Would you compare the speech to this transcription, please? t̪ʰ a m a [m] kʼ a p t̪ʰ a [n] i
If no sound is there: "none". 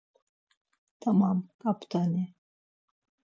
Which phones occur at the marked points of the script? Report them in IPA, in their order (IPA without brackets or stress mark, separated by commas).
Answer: m, n